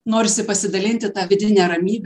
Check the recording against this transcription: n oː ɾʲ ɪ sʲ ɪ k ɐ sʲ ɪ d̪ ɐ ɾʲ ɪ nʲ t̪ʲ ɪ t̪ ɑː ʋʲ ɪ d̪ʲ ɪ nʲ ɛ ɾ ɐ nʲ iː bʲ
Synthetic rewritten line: n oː ɾʲ ɪ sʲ ɪ p ɐ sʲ ɪ d̪ ɐ lʲ ɪ nʲ t̪ʲ ɪ t̪ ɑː ʋʲ ɪ d̪ʲ ɪ nʲ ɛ ɾ ɐ mʲ iː bʲ